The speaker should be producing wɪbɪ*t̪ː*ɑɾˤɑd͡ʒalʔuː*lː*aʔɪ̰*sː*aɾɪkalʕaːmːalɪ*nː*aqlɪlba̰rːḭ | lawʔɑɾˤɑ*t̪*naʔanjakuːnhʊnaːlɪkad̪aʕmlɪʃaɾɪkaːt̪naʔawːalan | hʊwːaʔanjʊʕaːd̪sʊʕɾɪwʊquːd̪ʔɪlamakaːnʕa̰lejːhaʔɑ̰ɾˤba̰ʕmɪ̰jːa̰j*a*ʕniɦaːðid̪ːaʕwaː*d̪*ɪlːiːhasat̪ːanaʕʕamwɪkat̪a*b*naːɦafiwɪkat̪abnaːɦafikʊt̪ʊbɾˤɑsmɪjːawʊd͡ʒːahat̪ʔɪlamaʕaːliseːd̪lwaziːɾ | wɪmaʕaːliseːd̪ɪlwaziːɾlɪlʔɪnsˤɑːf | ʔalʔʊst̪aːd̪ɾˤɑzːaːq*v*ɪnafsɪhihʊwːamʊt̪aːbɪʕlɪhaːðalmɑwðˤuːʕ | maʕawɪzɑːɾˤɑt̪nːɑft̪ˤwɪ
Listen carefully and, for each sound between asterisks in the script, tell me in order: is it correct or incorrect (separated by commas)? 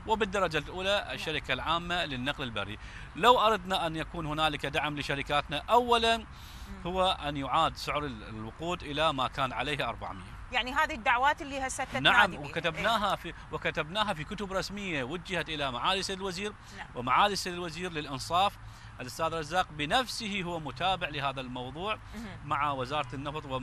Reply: incorrect, incorrect, incorrect, correct, incorrect, correct, incorrect, correct, incorrect